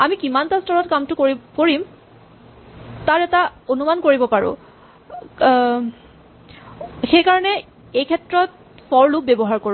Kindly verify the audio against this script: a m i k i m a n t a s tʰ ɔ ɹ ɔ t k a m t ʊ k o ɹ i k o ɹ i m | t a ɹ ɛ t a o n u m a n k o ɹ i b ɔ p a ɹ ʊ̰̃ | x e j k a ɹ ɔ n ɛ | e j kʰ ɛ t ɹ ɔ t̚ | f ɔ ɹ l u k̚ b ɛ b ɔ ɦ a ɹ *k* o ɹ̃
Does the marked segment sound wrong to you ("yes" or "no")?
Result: no